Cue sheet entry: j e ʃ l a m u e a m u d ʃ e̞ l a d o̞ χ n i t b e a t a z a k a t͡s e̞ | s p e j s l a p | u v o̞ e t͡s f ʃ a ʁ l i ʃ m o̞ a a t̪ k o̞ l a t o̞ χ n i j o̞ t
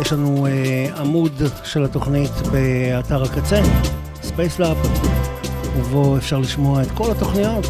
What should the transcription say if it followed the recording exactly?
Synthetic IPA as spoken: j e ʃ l a n u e a m u d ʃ e̞ l a t o̞ χ n i t b e a t a ʁ a k a t͡s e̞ | s p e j s l a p | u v o̞ e f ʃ a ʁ l i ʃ m o̞ a e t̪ k o̞ l a t o̞ χ n i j o̞ t